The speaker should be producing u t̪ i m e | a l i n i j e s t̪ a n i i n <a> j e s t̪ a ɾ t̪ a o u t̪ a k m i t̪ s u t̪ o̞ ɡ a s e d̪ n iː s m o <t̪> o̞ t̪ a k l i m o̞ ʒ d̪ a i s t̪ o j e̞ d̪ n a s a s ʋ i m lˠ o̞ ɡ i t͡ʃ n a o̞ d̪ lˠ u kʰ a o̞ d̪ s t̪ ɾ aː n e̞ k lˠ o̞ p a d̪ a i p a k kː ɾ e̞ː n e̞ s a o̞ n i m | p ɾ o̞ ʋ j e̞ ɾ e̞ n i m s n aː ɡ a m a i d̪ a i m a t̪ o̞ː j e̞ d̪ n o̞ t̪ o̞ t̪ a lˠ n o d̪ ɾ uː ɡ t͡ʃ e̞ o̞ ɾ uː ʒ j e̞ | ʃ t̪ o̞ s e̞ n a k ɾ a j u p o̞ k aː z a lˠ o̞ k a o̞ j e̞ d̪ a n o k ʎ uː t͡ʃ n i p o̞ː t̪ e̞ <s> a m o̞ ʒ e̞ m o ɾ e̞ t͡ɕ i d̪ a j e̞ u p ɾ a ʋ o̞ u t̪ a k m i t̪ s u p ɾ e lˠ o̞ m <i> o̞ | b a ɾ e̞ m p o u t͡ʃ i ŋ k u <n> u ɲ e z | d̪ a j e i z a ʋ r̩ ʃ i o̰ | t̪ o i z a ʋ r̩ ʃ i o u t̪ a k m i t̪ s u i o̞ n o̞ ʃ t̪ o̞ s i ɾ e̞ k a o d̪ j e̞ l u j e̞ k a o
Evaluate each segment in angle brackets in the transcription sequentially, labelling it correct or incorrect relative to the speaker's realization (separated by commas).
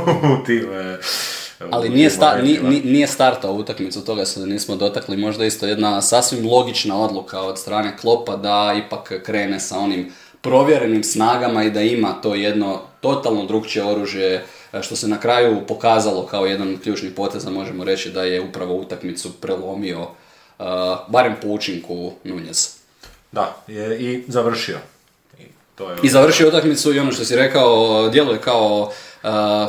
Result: incorrect, incorrect, incorrect, correct, correct